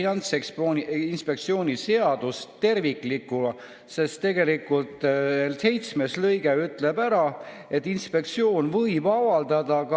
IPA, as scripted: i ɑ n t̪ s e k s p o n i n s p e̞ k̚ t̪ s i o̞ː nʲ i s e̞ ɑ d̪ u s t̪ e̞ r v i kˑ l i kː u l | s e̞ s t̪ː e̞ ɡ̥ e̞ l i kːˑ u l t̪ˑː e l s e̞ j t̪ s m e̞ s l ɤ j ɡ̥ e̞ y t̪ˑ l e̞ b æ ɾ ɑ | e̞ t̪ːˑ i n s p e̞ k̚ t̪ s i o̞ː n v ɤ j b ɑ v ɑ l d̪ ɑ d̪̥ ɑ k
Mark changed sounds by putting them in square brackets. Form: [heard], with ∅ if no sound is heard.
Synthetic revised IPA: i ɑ n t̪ s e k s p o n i n s p e̞ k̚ t̪ s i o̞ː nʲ i s e̞ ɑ d̪ u s t̪ e̞ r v i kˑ l i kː u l | s e̞ s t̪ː e̞ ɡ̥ e̞ l i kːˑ u l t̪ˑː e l s e̞ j t̪ s m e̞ s l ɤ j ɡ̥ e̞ y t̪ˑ l e̞ b æ ɾ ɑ | e̞ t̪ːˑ i n s p e̞ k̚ t̪ s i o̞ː n v ɤ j b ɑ v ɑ l d̪ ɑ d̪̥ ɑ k